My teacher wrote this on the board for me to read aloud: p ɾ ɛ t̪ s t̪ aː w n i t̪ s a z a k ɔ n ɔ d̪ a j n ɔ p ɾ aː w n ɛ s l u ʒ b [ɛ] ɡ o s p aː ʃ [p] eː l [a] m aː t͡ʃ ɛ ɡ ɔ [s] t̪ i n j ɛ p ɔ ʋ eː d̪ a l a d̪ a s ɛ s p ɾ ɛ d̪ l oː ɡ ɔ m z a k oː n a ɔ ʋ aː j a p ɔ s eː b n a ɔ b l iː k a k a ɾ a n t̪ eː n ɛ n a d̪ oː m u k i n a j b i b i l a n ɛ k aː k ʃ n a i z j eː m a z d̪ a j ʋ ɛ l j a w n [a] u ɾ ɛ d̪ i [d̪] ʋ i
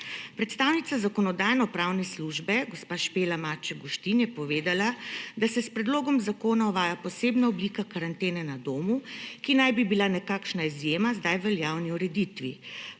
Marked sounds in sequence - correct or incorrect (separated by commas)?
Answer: correct, correct, correct, incorrect, incorrect, incorrect